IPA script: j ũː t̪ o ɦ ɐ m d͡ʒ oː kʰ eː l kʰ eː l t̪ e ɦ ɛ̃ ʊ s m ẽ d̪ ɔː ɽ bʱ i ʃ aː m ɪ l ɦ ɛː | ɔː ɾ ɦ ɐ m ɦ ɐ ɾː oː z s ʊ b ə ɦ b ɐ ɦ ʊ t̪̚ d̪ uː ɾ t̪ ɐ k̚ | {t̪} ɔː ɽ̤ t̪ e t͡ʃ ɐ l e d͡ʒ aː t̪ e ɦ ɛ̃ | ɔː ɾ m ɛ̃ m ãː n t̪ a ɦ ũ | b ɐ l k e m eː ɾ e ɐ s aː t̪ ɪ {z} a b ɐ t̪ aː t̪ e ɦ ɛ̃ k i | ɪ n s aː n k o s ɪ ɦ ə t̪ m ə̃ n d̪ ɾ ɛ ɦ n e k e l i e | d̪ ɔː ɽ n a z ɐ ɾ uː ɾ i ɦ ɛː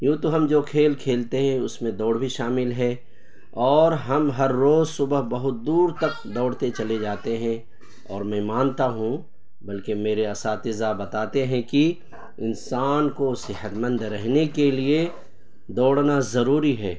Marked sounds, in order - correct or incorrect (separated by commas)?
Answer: incorrect, correct